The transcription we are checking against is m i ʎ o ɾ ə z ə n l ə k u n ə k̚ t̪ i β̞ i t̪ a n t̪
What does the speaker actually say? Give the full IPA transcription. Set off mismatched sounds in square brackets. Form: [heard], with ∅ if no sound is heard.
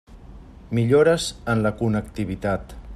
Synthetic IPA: m i ʎ o ɾ ə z ə n l ə k u n ə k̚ t̪ i β̞ i t̪ a [∅] t̪